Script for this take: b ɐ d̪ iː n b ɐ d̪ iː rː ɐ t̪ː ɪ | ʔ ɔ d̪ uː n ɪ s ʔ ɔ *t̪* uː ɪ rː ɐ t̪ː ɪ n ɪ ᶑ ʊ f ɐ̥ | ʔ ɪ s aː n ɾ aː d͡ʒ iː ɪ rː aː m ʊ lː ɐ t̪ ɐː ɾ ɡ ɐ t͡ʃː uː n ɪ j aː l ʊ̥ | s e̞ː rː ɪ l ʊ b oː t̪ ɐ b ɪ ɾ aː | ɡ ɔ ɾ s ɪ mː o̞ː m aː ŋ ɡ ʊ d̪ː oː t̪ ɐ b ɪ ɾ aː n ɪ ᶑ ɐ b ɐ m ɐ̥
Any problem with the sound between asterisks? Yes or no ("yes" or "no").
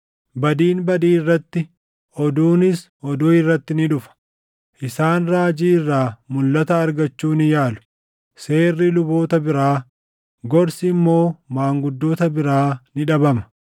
yes